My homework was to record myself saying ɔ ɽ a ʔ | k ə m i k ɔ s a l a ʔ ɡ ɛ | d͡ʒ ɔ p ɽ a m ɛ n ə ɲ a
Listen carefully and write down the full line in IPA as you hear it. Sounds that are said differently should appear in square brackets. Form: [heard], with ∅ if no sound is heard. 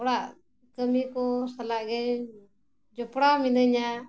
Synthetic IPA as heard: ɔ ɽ a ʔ | k ə m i k ɔ s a l a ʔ ɡ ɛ | d͡ʒ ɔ p ɽ a m [i] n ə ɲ a